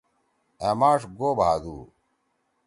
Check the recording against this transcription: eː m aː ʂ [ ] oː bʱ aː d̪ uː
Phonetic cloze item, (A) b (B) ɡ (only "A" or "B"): B